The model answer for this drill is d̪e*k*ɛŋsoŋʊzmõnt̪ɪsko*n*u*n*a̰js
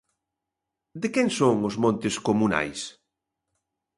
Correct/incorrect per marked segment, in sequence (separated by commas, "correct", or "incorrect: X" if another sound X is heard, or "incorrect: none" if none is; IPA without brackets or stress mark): correct, incorrect: m, correct